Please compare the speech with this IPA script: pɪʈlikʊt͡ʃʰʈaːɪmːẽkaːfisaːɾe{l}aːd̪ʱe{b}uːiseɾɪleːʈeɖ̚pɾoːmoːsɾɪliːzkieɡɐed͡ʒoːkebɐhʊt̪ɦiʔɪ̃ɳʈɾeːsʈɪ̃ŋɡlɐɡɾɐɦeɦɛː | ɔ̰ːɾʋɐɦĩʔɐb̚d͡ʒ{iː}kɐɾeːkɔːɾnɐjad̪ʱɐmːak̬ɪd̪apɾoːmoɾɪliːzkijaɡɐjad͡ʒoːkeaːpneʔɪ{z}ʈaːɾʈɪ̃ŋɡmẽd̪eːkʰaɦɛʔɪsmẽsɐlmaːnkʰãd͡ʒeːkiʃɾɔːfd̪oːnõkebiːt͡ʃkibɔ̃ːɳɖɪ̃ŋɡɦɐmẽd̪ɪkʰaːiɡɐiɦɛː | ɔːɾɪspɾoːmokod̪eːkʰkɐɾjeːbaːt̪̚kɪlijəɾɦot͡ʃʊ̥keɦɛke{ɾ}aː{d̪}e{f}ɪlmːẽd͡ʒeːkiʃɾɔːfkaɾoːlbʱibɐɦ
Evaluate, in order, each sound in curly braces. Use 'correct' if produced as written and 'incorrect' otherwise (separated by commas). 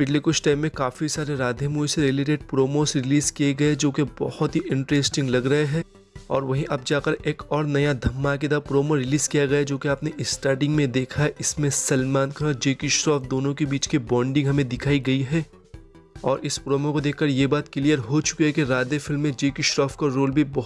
incorrect, incorrect, incorrect, incorrect, correct, correct, correct